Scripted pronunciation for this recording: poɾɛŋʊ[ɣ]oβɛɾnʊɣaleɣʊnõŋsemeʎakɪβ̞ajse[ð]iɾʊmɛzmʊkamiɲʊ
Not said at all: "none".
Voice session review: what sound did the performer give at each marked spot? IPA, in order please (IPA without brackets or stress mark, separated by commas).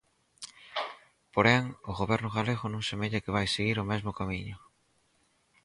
ɣ, ɣ